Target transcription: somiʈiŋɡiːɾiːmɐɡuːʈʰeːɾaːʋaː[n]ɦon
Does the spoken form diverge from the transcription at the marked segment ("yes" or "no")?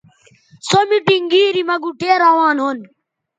no